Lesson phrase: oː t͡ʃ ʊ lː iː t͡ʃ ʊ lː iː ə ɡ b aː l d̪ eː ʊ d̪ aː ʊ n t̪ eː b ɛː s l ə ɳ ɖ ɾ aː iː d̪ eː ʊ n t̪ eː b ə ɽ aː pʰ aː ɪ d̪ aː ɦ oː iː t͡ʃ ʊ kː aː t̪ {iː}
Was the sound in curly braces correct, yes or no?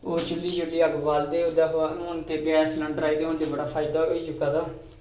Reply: no